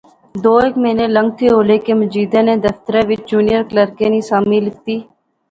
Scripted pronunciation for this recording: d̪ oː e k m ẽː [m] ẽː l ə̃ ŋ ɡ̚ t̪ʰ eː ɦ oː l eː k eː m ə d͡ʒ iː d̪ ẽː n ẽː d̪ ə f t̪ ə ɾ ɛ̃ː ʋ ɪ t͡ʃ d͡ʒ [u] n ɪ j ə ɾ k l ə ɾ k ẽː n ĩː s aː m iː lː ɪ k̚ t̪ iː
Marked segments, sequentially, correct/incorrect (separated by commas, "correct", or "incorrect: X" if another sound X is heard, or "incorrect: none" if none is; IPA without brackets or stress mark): incorrect: n, incorrect: uː